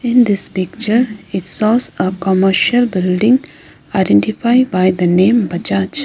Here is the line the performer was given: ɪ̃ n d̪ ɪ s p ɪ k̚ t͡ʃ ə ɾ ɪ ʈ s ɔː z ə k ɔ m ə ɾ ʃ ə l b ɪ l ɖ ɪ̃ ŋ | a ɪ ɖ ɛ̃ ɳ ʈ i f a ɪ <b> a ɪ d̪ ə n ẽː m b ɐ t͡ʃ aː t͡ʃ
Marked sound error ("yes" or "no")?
no